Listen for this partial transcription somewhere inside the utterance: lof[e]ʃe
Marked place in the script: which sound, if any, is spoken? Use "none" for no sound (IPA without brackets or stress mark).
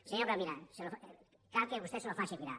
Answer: a